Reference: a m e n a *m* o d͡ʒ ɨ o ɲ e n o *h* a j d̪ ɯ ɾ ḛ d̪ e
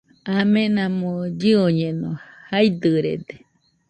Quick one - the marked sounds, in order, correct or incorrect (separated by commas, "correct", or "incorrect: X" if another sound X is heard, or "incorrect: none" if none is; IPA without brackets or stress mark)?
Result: correct, correct